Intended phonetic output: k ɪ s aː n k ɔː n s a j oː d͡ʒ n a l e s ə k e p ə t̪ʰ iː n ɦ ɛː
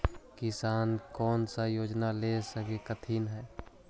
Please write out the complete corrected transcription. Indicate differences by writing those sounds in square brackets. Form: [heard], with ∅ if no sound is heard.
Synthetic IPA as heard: k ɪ s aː n k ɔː n s a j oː d͡ʒ n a l e s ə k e [k] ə t̪ʰ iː n ɦ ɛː

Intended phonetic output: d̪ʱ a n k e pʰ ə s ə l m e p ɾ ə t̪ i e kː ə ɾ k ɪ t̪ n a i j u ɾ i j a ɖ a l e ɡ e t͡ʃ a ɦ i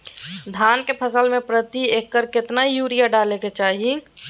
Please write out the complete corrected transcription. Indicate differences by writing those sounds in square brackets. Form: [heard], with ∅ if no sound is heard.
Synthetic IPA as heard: d̪ʱ a n k e pʰ ə s ə l m e p ɾ ə t̪ i e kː ə ɾ k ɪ t̪ n a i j u ɾ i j a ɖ a l e [k] e t͡ʃ a ɦ i

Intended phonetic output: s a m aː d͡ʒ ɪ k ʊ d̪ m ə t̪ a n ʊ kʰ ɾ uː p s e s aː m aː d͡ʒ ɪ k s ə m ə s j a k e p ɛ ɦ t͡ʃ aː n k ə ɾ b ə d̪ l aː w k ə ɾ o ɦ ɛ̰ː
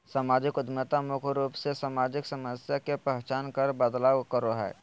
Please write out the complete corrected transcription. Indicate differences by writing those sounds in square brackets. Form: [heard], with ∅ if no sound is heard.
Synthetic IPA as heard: s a m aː d͡ʒ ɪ k ʊ d̪ m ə t̪ a [m] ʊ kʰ ɾ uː p s e s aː m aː d͡ʒ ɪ k s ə m ə s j a k e p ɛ ɦ t͡ʃ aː n k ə ɾ b ə d̪ l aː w k ə ɾ o ɦ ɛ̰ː

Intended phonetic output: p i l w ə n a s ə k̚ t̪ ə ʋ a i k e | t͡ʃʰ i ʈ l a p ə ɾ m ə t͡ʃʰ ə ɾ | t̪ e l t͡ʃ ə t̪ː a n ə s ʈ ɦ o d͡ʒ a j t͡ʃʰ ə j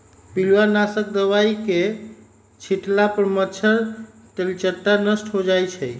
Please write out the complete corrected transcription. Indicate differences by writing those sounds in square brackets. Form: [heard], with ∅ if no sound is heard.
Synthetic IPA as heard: p i l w [a] n a s ə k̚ [d̪] ə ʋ a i k e | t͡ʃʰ i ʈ l a p ə ɾ m ə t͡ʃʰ ə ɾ | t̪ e l t͡ʃ ə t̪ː a n ə s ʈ ɦ o d͡ʒ a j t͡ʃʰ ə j

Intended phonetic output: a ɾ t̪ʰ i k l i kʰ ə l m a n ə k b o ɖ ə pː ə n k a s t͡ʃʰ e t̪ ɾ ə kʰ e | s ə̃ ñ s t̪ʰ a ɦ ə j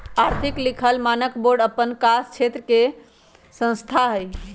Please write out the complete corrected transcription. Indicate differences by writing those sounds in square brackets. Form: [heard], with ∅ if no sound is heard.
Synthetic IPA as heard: a ɾ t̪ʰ i k l i kʰ ə l m a n ə k b o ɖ ə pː ə n k a s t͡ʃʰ e t̪ ɾ ə [k] e | s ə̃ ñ s t̪ʰ a ɦ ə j

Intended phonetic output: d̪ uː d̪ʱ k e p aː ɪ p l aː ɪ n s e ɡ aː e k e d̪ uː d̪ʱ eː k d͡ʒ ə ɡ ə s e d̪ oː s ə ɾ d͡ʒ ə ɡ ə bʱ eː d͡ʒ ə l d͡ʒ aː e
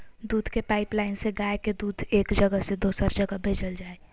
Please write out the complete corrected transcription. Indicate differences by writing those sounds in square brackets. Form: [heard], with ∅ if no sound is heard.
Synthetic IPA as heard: d̪ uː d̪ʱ k e p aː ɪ p l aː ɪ n s e ɡ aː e k e d̪ uː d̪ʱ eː k d͡ʒ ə ɡ ə s e d̪ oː s ə ɾ d͡ʒ ə ɡ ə bʱ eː d͡ʒ ə l d͡ʒ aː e

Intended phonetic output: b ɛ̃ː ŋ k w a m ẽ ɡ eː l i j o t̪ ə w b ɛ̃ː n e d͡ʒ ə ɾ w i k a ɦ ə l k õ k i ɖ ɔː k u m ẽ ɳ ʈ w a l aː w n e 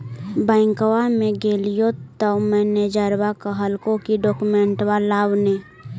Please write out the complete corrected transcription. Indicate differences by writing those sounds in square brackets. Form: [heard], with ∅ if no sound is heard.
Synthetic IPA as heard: b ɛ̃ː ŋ k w a m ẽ ɡ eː l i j o t̪ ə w [m] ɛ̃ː n e d͡ʒ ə ɾ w [a] k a ɦ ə l k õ k i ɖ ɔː k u m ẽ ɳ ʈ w a l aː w n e

